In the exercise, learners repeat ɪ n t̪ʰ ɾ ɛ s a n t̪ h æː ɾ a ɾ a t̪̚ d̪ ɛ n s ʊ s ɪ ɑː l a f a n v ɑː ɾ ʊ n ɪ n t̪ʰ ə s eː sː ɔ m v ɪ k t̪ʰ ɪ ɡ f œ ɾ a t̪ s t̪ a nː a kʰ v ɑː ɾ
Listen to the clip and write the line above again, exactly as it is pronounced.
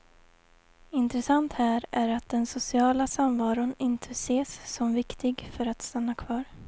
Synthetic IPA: ɪ n t̪ ɾ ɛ s a n t̪ h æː ɾ æ ɾ a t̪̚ d̪ ɛ n s ʊ s ɪ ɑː l a s a m v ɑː ɾ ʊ n ɪ n t̪ʰ ə s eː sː ɔ m v ɪ k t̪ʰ ɪ ɡ f œ ɾ a t̪ s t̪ a nː a kʰ v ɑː ɾ